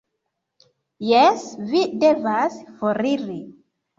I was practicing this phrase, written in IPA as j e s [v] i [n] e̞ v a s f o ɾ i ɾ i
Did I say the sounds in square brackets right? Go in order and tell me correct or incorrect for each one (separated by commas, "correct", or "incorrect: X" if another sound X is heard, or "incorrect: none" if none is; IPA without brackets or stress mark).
correct, incorrect: d